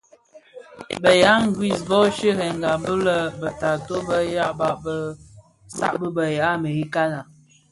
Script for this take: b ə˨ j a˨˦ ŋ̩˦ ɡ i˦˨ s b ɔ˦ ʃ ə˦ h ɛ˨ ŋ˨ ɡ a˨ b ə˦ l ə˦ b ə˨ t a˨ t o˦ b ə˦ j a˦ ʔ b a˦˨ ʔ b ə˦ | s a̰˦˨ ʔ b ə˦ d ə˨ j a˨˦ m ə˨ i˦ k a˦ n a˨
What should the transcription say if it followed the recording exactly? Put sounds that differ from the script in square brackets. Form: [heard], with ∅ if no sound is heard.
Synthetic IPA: b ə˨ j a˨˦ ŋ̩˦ ɡ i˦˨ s b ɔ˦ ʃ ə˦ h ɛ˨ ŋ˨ ɡ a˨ b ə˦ l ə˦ b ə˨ t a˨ t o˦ b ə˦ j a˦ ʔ b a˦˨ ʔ b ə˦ | s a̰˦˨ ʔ b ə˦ [b] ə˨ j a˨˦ m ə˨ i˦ k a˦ n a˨